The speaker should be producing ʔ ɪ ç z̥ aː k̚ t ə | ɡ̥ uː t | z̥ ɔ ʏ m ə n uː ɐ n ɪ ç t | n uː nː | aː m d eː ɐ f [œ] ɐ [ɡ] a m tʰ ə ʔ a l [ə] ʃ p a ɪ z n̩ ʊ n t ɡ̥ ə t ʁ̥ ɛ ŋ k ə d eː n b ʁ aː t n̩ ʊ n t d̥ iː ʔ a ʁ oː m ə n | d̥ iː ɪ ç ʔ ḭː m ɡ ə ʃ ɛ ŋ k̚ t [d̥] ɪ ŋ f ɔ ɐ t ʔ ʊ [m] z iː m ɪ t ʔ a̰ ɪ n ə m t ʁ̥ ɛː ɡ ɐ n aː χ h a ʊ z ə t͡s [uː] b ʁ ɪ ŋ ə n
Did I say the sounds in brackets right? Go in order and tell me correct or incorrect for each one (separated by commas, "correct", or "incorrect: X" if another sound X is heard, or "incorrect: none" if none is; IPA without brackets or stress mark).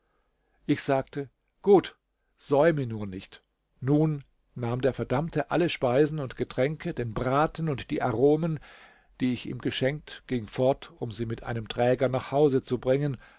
incorrect: ɛ, incorrect: d, correct, incorrect: ɡ̥, correct, incorrect: u